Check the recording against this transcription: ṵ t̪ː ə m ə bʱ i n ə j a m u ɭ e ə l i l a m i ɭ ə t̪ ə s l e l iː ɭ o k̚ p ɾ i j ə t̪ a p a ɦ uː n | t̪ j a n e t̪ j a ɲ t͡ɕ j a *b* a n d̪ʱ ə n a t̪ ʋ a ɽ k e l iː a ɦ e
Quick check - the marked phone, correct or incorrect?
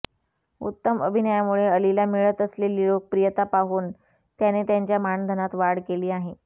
incorrect